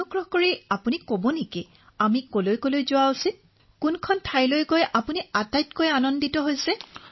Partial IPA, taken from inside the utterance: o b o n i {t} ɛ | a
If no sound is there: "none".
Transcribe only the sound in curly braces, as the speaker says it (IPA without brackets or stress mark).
k